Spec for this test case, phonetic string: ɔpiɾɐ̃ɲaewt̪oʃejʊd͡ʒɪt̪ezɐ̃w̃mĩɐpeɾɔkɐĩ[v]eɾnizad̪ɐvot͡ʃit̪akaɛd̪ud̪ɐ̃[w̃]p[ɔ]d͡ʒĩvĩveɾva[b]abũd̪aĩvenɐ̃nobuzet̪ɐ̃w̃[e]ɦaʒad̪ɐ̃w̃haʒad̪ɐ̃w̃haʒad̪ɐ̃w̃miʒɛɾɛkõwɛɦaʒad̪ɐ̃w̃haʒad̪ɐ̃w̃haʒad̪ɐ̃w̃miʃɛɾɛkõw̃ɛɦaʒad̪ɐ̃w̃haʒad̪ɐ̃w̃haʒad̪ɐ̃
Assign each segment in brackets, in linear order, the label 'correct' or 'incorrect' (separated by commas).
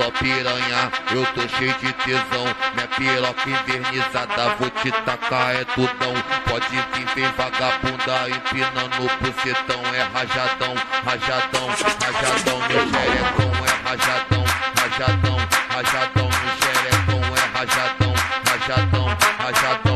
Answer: correct, correct, correct, incorrect, incorrect